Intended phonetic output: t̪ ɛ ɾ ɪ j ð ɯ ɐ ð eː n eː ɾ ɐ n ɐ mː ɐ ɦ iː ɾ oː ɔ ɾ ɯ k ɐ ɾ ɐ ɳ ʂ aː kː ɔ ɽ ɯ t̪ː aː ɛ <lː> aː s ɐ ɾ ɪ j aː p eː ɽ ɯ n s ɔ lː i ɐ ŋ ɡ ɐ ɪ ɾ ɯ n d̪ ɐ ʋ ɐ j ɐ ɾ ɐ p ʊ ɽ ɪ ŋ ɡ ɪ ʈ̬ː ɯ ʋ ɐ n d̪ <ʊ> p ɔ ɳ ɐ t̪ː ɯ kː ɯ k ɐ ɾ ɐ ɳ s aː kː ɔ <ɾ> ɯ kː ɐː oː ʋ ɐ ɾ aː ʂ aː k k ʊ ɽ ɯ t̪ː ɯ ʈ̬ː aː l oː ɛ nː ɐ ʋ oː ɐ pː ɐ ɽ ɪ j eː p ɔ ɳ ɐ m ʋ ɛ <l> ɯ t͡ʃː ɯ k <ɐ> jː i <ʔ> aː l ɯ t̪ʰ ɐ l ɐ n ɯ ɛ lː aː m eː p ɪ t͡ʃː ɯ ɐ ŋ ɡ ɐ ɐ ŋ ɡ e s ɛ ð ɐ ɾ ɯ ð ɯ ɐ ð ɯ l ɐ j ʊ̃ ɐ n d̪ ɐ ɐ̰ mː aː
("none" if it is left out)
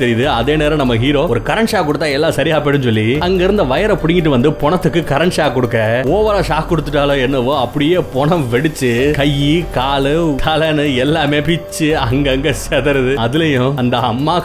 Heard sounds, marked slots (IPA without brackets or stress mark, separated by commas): lː, ɯ, ɽ, ɽ, ɐ, k